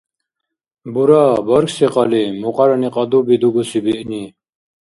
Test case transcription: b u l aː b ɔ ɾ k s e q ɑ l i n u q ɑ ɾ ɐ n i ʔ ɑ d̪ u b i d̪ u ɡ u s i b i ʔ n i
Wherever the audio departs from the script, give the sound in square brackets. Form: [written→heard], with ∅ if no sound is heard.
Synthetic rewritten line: b u [l→ɾ] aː b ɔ ɾ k s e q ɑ l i [n→m] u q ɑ ɾ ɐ n i [ʔ→q] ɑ d̪ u b i d̪ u ɡ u s i b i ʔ n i